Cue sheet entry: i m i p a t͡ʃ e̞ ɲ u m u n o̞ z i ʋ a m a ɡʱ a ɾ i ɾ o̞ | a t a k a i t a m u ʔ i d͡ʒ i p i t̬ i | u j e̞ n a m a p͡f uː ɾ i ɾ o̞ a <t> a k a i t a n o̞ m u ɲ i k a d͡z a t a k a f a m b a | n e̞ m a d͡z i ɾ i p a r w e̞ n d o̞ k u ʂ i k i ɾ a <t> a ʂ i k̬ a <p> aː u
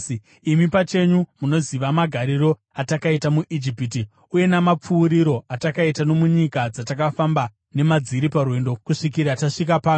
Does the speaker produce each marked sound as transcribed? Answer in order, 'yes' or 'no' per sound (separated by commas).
yes, yes, yes